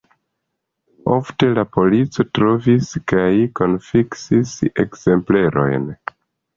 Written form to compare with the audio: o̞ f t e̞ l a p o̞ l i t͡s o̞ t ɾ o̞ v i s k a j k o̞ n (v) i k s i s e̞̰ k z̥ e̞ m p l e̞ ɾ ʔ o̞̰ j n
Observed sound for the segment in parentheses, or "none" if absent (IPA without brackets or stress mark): f